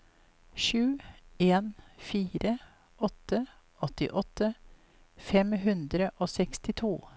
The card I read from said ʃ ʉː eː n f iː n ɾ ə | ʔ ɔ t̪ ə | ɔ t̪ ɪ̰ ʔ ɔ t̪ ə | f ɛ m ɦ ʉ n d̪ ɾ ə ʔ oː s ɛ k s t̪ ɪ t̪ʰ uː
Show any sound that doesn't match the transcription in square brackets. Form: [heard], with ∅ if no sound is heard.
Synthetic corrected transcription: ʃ ʉː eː n f iː [∅] ɾ ə | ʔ ɔ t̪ ə | ɔ t̪ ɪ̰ ʔ ɔ t̪ ə | f ɛ m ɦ ʉ n d̪ ɾ ə ʔ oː s ɛ k s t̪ ɪ t̪ʰ uː